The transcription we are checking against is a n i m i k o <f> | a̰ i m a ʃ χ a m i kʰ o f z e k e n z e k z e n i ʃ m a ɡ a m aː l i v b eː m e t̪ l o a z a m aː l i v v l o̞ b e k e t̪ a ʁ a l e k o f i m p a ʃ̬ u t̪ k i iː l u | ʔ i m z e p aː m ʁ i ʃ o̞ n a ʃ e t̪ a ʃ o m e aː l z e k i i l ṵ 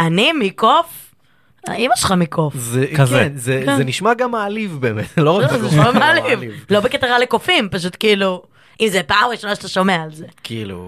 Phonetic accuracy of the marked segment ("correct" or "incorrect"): correct